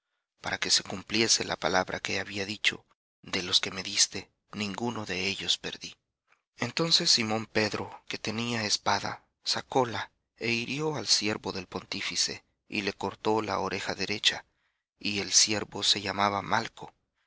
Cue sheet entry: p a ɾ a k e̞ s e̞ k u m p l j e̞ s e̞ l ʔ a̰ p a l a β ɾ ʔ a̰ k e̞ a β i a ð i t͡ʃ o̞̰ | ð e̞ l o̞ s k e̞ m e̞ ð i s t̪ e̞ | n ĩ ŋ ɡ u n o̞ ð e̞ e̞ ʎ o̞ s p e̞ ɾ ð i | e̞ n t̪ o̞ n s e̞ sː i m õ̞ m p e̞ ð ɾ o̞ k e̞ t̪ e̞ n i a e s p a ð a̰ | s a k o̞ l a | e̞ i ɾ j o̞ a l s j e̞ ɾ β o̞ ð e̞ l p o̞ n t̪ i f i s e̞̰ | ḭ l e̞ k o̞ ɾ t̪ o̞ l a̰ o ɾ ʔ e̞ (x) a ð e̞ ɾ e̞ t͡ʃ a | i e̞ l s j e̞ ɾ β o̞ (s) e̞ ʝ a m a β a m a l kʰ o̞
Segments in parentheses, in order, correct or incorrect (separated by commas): correct, correct